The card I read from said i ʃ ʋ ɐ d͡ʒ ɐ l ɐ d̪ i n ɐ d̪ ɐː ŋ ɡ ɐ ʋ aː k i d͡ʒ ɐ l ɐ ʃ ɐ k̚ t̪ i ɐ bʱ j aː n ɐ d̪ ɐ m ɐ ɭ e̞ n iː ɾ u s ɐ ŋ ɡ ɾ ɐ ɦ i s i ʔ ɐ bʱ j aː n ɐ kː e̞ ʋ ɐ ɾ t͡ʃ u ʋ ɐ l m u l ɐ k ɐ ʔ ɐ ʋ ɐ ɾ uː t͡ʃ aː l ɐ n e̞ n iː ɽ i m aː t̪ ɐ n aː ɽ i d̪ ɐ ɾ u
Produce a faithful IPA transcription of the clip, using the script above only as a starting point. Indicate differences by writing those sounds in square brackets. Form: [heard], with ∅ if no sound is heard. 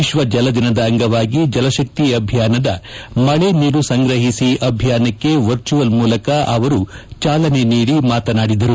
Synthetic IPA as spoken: i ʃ ʋ ɐ d͡ʒ ɐ l ɐ d̪ i n ɐ d̪ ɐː ŋ ɡ ɐ ʋ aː [ɡ] i d͡ʒ ɐ l ɐ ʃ ɐ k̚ t̪ i ɐ bʱ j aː n ɐ d̪ ɐ m ɐ ɭ e̞ n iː ɾ u s ɐ ŋ ɡ ɾ ɐ ɦ i s i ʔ ɐ bʱ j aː n ɐ kː e̞ ʋ ɐ ɾ t͡ʃ u ʋ ɐ l m [uː] l ɐ k ɐ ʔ ɐ ʋ ɐ ɾ [u] t͡ʃ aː l ɐ n e̞ n iː ɽ i m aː t̪ ɐ n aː ɽ i d̪ ɐ ɾ u